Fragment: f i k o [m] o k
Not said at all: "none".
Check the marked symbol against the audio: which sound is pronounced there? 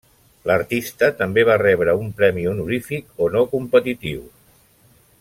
n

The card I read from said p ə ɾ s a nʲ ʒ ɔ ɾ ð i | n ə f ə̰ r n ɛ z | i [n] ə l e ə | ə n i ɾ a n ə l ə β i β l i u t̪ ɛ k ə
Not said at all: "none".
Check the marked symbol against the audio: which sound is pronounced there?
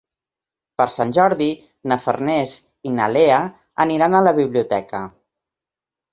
n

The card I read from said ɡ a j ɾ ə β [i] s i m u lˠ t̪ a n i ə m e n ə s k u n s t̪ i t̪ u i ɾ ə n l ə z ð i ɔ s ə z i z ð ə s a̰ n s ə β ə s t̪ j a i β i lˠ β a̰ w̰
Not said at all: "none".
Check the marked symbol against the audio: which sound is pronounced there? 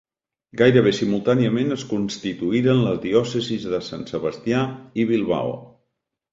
e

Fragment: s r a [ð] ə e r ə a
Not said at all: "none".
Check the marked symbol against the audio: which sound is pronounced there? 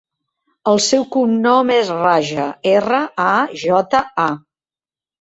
ʒ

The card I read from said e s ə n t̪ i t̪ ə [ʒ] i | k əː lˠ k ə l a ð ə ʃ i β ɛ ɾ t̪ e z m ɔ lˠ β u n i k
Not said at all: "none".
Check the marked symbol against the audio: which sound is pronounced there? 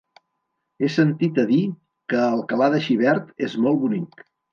ð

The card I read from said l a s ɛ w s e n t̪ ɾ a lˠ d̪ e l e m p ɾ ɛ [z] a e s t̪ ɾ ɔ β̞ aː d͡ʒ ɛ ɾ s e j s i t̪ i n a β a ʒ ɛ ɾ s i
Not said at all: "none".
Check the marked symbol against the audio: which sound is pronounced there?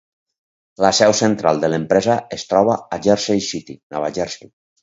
z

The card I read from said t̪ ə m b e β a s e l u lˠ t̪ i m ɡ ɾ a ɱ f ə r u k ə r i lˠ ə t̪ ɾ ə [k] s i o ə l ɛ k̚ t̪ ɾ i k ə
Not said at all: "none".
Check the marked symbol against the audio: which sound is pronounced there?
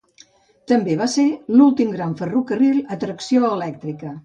k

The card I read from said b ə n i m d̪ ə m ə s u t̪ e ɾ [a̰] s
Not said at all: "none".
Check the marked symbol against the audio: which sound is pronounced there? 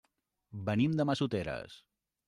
ə̰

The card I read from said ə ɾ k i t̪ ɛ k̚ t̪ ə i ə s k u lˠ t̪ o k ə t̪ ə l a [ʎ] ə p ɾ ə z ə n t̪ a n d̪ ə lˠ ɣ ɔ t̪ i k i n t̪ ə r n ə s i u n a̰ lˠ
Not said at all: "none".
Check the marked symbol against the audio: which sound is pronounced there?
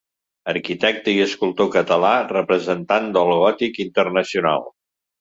r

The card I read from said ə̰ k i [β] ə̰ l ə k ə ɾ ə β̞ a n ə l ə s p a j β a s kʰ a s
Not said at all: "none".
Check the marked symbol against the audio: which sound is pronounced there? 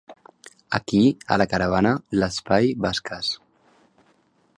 none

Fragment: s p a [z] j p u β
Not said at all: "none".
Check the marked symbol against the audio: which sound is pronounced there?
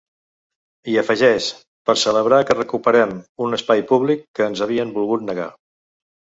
none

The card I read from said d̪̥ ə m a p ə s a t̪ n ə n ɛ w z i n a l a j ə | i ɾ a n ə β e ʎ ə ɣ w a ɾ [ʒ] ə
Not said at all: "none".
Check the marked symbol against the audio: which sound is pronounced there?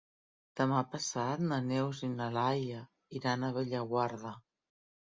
ð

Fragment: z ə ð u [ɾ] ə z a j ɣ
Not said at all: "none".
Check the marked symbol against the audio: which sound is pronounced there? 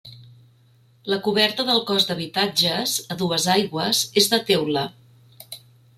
none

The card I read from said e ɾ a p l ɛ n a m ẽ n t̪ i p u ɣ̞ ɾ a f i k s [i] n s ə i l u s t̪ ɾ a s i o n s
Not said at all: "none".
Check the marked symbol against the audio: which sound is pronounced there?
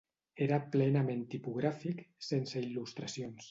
e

